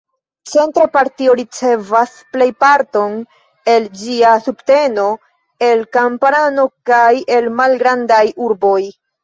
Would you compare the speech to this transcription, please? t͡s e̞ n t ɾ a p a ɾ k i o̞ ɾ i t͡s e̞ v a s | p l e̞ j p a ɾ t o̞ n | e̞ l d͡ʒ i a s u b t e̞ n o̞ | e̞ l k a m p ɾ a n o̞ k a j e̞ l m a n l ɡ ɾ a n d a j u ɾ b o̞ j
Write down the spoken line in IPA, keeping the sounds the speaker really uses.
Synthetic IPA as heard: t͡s e̞ n t ɾ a p a ɾ t i o̞ ɾ i t͡s e̞ v a s | p l e̞ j p a ɾ t o̞ n | e̞ l d͡ʒ i a s u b t e̞ n o̞ | e̞ l k a m p ɾ a n o̞ k a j e̞ l m a l ɡ ɾ a n d a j u ɾ b o̞ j

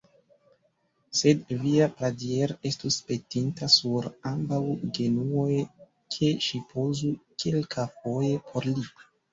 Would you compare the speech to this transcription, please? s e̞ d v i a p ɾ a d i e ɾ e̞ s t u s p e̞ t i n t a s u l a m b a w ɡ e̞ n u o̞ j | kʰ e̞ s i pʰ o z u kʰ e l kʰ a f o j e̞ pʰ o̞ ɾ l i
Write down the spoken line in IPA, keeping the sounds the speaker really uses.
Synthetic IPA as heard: s e̞ d v i a p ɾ a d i e ɾ e̞ s t u s p e̞ t i n t a s u ɾ a m b a w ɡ e̞ n u o̞ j | kʰ e̞ ʃ i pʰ o z u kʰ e l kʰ a f o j e̞ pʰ o̞ ɾ l i

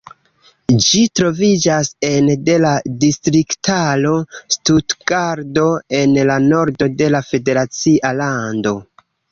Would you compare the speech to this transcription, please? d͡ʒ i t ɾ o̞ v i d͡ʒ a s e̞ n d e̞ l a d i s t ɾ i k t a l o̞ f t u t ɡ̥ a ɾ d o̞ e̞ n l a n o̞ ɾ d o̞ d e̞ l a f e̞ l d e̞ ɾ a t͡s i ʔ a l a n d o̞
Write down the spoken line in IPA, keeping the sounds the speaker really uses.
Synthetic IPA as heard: d͡ʒ i t ɾ o̞ v i d͡ʒ a s e̞ n d e̞ l a d i s t ɾ i k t a l o̞ s t u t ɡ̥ a ɾ d o̞ e̞ n l a n o̞ ɾ d o̞ d e̞ l a f e̞ d e̞ ɾ a t͡s i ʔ a l a n d o̞

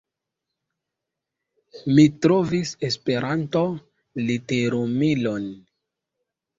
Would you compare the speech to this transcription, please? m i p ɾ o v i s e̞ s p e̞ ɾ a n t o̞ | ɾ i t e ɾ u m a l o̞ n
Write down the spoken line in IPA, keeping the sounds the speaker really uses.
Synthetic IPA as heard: m i t ɾ o v i s e̞ s p e̞ ɾ a n t o̞ | l i t e ɾ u m i l o̞ n

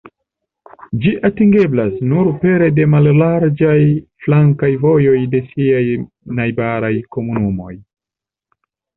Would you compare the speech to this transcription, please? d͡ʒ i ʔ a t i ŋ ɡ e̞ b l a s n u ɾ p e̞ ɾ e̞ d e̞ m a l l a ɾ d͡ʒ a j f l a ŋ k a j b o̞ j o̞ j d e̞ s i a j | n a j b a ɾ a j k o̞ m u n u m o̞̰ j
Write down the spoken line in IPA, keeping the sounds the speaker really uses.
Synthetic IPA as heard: d͡ʒ i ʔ a t i ŋ ɡ e̞ b l a s n u ɾ p e̞ ɾ e̞ d e̞ m a l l a ɾ d͡ʒ a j f l a ŋ k a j v o̞ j o̞ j d e̞ s i a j | n a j b a ɾ a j k o̞ m u n u m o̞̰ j

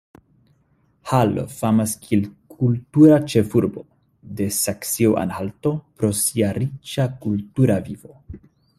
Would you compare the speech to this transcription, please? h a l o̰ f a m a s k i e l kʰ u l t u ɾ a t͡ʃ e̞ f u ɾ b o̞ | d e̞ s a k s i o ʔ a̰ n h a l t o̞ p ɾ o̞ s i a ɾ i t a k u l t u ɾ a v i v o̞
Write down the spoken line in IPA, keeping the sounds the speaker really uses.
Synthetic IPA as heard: h a l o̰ f a m a s k i e l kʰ u l t u ɾ a t͡ʃ e̞ f u ɾ b o̞ | d e̞ s a k s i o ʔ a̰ n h a l t o̞ p ɾ o̞ s i a ɾ i t͡ʃ a k u l t u ɾ a v i v o̞

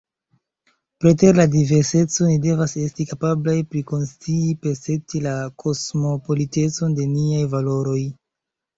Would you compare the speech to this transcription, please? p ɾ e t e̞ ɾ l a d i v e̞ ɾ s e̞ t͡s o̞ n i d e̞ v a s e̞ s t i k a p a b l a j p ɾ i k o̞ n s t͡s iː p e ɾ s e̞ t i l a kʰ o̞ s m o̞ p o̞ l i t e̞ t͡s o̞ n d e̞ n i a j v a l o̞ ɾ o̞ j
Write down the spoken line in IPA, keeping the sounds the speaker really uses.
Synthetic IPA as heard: p ɾ e t e̞ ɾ l a d i v e̞ ɾ s e̞ t͡s o̞ n i d e̞ v a s e̞ s t i k a p a b l a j p ɾ i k o̞ n s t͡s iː p e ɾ s e̞ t i l a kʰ o̞ s m o̞ p o̞ l i t e̞ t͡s o̞ n d e̞ n i a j v a l o̞ ɾ o̞ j

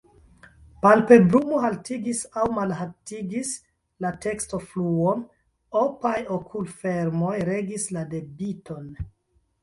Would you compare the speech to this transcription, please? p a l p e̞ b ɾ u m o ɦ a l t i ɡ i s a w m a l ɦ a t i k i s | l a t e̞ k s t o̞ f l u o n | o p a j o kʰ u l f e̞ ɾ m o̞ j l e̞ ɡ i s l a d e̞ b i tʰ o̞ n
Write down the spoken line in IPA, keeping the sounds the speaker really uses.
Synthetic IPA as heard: p a l p e̞ b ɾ u m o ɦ a l t i ɡ i s a w m a l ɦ a t i ɡ i s | l a t e̞ k s t o̞ f l u o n | o p a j o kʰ u l f e̞ ɾ m o̞ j ɾ e̞ ɡ i s l a d e̞ b i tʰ o̞ n

